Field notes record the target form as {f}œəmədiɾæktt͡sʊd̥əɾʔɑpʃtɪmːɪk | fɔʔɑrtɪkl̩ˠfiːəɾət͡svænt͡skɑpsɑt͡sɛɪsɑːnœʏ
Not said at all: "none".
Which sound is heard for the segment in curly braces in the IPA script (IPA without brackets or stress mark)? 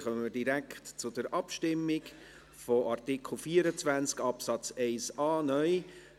χ